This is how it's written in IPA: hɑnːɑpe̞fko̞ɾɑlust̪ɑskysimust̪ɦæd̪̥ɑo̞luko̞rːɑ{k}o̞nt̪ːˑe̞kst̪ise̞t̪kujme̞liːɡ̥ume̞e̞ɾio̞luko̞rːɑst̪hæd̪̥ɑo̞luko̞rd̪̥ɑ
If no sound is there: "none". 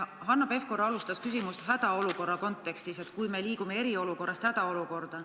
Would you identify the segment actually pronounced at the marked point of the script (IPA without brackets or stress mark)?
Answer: k